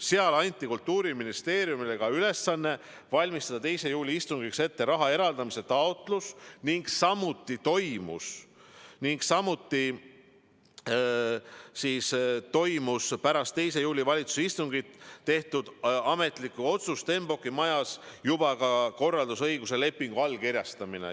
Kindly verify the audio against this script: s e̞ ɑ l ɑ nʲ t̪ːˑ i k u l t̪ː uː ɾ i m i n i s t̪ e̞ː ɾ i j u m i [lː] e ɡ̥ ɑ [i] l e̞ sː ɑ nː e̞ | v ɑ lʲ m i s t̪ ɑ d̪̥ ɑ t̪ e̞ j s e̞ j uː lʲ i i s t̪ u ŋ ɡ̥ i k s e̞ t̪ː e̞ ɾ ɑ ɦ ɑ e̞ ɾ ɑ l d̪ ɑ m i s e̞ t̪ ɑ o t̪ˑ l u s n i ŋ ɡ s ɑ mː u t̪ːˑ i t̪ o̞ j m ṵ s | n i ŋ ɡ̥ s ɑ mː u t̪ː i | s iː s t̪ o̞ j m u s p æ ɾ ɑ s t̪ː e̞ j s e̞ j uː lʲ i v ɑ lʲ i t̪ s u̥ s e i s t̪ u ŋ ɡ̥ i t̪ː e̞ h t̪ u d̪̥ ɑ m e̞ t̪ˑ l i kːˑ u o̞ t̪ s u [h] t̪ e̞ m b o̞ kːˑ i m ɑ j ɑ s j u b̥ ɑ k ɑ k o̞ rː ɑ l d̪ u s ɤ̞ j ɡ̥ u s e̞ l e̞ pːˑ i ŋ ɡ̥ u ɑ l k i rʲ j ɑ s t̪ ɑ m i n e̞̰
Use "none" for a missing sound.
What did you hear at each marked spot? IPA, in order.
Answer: l, y, s

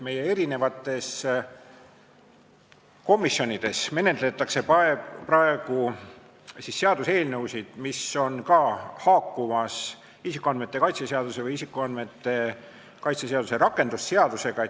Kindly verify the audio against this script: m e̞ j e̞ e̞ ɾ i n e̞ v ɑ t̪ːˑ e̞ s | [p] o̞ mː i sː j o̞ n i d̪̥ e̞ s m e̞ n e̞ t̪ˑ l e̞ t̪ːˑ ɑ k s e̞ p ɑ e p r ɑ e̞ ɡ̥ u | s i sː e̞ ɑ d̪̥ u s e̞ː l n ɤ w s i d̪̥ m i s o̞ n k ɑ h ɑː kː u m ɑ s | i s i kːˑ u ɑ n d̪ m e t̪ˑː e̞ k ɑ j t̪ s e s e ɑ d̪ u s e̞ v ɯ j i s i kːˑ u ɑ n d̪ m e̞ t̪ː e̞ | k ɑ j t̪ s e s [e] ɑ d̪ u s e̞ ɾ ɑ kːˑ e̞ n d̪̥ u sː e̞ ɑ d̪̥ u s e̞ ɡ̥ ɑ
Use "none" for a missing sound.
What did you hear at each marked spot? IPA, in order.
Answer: k, e

